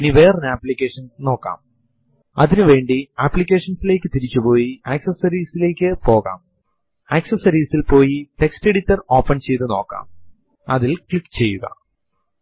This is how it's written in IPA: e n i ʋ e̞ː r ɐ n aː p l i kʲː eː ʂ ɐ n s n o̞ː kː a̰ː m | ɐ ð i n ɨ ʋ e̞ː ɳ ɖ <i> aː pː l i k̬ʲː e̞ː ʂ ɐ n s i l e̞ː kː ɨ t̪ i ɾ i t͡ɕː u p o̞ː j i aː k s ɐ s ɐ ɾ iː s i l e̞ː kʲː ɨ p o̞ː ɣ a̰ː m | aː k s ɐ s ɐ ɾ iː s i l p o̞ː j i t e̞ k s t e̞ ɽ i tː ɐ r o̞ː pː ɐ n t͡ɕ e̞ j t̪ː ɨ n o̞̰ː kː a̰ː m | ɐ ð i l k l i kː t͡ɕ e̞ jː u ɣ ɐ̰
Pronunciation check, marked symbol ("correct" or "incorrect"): correct